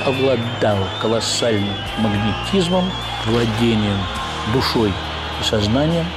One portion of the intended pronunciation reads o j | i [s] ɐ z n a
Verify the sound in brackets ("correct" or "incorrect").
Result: correct